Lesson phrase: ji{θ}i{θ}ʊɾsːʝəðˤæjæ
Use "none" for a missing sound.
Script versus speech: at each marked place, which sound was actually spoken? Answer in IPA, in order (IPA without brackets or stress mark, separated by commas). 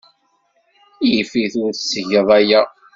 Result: f, θ